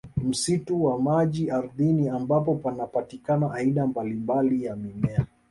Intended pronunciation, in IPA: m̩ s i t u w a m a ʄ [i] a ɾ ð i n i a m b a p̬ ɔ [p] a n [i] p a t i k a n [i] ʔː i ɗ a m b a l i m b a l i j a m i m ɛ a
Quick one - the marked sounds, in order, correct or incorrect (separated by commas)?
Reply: correct, correct, incorrect, incorrect